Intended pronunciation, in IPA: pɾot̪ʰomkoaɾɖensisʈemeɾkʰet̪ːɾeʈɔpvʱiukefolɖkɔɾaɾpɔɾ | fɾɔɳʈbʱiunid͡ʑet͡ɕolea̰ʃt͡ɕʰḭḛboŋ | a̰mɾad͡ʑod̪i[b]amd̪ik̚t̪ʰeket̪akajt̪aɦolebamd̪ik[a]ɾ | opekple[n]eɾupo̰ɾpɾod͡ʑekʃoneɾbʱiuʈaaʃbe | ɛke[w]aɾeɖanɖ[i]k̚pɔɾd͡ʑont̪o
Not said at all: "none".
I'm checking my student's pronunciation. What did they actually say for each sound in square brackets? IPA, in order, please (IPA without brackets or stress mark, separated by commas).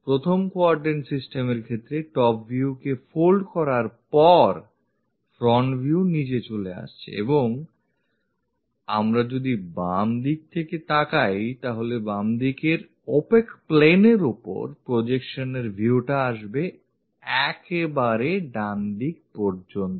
b, e, n, b, i